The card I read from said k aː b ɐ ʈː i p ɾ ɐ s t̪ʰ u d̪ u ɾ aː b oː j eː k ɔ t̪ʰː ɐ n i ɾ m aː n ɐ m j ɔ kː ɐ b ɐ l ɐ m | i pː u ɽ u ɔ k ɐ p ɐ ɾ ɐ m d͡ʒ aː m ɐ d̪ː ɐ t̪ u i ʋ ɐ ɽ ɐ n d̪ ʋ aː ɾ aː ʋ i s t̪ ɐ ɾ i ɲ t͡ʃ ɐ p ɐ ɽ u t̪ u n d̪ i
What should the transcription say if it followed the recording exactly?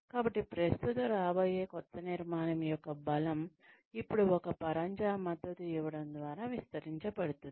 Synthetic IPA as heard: k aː b ɐ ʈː i p ɾ ɐ s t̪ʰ u t̪ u ɾ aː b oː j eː k ɔ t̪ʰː ɐ n i ɾ m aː n ɐ m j ɔ kː ɐ b ɐ l ɐ m | i pː u ɽ u ɔ k ɐ p ɐ ɾ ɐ ɲ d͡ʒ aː m ɐ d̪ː ɐ t̪ u i ʋ ɐ ɽ ɐ n d̪ ʋ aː ɾ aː ʋ i s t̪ ɐ ɾ i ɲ t͡ʃ ɐ p ɐ ɽ u t̪ u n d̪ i